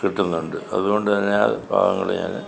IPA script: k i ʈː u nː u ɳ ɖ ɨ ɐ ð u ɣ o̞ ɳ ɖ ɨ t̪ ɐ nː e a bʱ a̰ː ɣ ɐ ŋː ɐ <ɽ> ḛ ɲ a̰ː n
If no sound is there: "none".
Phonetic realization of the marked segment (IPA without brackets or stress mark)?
ɭ